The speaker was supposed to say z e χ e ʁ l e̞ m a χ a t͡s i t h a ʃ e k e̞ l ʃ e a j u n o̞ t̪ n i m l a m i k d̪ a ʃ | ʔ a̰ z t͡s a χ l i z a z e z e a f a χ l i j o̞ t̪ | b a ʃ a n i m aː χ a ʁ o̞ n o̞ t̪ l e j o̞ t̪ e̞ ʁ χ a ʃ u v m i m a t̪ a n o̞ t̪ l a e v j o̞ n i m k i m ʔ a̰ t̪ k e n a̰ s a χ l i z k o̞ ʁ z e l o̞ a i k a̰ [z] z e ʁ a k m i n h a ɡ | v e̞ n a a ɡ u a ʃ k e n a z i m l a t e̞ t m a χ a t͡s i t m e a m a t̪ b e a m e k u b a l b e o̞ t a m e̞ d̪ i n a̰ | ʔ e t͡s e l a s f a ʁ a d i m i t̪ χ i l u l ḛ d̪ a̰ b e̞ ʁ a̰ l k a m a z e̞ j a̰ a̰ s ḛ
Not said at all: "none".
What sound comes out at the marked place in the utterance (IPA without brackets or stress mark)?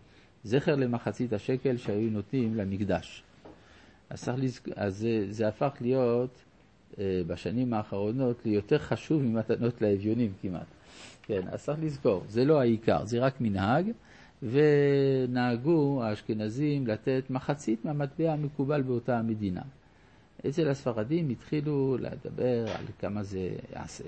ʁ